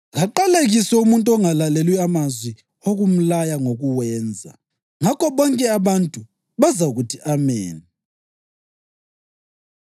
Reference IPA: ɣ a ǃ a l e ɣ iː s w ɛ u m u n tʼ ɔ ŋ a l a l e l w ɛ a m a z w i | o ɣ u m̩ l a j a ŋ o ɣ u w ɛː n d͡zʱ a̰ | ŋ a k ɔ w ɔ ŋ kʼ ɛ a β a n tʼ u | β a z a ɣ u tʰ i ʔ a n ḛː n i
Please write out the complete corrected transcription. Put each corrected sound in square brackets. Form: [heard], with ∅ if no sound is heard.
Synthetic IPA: ɣ a ǃ a l e ɣ [i] s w ɛ u m u n tʼ ɔ ŋ a l a l e l w [i] a m a z w i | o ɣ u m̩ l a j a ŋ o ɣ u w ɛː n d͡zʱ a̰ | ŋ a k ɔ [β] ɔ ŋ kʼ ɛ a β a n tʼ u | β a z a ɣ u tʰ i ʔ a [m] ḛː n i